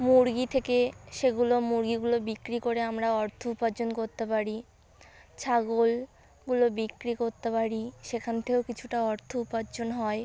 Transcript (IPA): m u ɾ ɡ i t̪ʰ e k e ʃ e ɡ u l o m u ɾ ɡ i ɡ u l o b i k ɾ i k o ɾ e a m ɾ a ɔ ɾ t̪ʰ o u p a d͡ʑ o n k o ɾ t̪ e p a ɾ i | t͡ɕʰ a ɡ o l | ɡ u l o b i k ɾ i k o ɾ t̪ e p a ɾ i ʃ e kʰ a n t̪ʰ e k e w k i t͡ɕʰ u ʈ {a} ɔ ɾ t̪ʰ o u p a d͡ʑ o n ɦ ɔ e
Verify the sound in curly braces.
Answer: correct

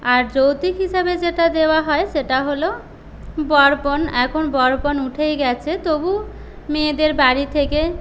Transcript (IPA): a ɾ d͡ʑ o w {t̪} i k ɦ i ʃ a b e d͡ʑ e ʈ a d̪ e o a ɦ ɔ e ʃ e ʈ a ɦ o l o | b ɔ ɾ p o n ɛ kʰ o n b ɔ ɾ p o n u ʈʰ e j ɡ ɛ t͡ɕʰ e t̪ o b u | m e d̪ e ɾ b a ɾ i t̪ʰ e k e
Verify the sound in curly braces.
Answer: correct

